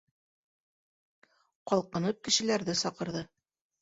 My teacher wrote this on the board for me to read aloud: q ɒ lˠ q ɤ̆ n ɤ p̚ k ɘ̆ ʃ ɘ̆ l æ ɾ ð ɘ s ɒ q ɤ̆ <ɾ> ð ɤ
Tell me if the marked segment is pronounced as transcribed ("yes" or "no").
yes